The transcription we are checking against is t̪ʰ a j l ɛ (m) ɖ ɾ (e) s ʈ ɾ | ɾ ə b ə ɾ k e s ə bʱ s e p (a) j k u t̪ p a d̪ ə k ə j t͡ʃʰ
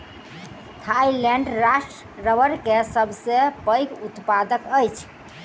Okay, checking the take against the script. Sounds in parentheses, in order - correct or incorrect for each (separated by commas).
incorrect, incorrect, incorrect